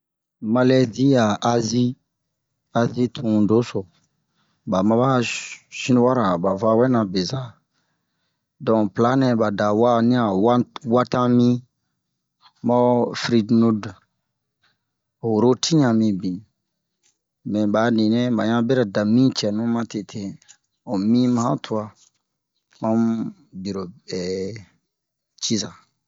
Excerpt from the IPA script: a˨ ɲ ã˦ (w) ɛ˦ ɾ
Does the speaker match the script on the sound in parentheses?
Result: no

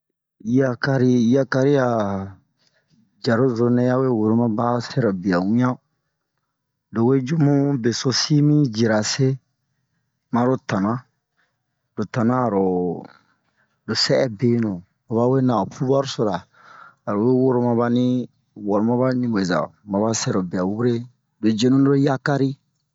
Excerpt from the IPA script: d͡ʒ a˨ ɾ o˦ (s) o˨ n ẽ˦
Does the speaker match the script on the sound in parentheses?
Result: no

